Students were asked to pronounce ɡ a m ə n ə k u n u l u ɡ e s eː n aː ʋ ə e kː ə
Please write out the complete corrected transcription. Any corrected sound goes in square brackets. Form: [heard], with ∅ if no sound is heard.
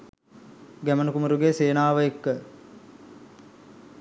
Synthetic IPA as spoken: ɡ [æ] m ə n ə k u [m] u [ɾ] u ɡ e s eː n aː ʋ ə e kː ə